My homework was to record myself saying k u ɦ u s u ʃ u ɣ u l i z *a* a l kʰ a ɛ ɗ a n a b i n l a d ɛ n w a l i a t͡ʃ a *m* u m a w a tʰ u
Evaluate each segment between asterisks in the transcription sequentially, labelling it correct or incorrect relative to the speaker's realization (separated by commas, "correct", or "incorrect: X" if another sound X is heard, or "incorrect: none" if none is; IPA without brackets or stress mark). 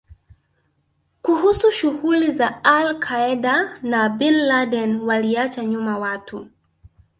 correct, incorrect: ɲ